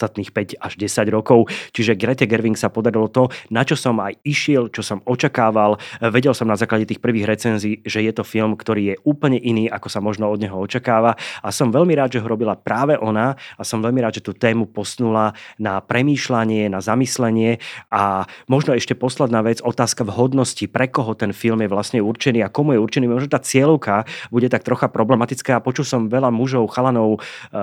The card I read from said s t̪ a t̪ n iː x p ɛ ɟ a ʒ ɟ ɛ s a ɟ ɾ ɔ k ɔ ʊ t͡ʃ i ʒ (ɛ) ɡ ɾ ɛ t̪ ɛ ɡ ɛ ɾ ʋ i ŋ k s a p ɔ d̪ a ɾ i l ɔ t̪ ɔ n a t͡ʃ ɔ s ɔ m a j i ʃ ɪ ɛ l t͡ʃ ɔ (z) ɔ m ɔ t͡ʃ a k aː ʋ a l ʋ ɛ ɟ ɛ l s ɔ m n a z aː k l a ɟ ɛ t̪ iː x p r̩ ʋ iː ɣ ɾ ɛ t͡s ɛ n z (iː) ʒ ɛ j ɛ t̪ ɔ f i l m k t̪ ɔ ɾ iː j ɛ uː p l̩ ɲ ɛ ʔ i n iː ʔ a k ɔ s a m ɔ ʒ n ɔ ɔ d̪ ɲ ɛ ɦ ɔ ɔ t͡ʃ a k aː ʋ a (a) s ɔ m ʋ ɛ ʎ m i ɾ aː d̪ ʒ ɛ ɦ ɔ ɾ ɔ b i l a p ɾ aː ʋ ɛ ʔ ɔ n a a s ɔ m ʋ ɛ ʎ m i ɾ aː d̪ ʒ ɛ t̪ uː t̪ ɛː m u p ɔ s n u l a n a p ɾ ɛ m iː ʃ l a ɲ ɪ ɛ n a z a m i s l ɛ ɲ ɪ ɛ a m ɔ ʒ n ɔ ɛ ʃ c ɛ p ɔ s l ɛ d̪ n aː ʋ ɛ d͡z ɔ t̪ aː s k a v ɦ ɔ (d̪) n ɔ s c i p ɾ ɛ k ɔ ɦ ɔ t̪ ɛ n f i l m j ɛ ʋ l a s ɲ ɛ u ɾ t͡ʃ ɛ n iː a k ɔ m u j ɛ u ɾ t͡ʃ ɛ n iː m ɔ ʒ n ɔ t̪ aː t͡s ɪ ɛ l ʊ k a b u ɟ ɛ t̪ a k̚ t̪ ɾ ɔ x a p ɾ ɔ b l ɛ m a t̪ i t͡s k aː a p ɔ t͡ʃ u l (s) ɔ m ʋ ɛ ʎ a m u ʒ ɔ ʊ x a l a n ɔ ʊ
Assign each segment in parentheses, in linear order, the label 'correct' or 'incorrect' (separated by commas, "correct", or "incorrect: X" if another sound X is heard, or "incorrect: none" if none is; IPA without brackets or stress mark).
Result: correct, incorrect: s, correct, correct, correct, correct